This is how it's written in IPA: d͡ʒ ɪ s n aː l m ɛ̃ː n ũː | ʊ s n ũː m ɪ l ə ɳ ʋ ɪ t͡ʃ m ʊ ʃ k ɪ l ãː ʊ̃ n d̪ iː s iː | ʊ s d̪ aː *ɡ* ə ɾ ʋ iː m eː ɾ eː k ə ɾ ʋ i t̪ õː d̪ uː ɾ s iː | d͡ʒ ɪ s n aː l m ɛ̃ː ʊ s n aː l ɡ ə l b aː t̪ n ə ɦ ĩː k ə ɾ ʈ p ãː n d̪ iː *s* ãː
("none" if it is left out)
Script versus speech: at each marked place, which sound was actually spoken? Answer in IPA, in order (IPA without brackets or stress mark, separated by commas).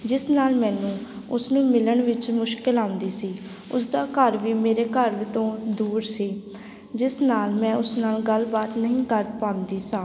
k, s